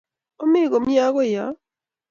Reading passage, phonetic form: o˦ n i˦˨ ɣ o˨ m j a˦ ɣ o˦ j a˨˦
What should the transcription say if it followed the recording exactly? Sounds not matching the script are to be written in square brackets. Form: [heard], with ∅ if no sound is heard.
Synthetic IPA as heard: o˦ [m] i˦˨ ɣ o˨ m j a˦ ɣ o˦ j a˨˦